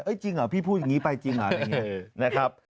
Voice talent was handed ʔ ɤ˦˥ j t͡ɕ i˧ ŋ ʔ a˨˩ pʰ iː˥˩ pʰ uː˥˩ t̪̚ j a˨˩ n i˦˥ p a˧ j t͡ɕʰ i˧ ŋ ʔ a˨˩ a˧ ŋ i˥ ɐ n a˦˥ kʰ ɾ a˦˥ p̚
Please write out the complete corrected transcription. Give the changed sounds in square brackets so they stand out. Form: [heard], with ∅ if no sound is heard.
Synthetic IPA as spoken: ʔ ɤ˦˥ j t͡ɕ i˧ ŋ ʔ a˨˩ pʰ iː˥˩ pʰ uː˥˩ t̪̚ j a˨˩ [ŋ] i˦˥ p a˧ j [t͡ɕ] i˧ ŋ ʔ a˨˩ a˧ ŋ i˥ ɐ n a˦˥ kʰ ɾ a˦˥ p̚